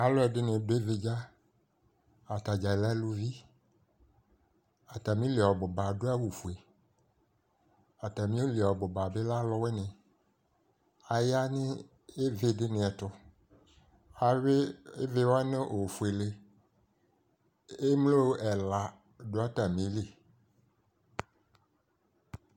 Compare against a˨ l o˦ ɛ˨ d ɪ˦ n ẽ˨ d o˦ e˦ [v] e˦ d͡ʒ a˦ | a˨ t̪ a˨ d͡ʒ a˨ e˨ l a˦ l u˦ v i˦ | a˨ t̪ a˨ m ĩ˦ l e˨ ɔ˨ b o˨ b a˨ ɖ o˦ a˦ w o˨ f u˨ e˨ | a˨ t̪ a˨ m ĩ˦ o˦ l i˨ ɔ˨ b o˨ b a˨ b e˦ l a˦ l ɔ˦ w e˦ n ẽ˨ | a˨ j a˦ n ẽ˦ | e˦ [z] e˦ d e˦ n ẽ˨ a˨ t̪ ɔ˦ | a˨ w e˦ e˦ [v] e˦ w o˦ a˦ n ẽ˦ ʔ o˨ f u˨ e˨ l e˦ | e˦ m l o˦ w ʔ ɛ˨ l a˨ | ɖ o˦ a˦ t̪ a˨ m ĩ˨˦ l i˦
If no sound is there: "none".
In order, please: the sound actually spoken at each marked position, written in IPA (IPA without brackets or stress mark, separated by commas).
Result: v, v, v